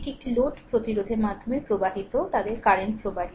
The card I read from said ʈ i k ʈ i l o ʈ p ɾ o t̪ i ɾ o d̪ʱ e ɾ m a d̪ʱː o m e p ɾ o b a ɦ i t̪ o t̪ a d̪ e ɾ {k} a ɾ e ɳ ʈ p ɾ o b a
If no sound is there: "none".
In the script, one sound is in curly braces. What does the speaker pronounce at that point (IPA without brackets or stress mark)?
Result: k